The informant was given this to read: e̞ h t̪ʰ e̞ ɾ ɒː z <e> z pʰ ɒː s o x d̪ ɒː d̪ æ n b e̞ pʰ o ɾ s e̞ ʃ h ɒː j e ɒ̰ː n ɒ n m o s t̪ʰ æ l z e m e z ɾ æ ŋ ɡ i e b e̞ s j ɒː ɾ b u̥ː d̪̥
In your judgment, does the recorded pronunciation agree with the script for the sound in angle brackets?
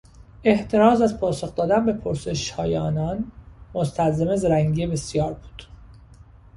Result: no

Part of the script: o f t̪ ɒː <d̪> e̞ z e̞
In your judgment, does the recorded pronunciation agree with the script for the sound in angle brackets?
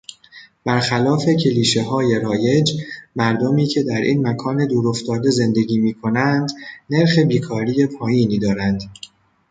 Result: yes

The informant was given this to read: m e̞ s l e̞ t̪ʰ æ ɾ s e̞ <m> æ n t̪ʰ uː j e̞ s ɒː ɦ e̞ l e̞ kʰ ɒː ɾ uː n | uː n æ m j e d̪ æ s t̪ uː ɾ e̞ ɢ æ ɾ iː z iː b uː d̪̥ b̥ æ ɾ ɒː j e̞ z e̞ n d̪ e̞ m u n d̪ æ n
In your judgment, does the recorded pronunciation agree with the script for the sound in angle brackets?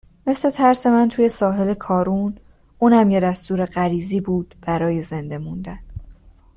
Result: yes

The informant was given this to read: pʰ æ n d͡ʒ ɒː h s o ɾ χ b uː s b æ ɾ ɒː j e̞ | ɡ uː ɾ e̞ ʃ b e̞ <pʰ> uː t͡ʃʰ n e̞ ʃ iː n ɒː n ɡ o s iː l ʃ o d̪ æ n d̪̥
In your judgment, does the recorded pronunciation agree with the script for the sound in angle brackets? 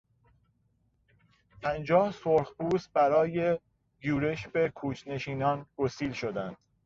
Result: no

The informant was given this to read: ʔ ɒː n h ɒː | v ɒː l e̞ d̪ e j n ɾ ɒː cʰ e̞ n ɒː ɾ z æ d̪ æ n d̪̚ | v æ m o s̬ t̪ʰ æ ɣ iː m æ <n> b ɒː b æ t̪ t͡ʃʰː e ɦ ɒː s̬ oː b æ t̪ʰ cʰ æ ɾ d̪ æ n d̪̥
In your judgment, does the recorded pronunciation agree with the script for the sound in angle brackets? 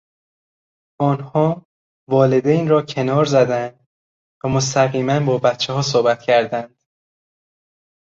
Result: yes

